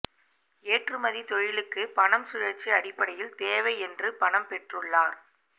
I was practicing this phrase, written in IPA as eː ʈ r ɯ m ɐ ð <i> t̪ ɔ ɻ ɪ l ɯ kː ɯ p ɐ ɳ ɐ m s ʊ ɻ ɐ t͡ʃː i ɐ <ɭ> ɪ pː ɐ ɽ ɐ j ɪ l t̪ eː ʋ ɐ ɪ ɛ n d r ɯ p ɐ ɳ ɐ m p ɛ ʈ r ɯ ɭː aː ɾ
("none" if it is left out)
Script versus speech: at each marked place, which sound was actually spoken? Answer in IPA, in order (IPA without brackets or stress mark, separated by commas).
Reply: i, ɽ